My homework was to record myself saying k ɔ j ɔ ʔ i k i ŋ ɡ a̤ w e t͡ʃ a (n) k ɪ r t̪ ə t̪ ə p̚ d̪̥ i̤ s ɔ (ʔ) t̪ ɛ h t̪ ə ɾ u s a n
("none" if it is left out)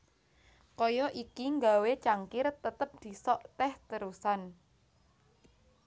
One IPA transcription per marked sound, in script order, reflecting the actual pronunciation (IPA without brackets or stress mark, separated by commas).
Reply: ŋ, ʔ